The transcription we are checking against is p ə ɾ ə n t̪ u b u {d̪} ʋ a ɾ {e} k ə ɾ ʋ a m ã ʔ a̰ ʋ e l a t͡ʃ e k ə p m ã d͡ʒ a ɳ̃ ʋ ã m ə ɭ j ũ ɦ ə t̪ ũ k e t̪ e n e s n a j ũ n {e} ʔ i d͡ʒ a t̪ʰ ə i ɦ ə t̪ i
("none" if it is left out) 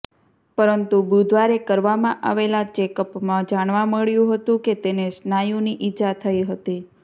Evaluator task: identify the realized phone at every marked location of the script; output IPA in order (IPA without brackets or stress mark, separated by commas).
d̪, e, i